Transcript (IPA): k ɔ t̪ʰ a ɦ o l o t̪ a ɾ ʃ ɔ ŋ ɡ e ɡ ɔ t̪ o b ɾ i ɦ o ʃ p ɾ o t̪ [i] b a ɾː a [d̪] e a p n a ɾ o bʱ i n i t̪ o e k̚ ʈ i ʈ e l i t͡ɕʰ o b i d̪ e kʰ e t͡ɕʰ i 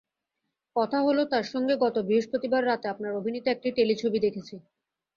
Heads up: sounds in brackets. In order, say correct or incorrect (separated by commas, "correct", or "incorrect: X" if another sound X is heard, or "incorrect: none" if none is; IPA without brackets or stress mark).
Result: correct, incorrect: t̪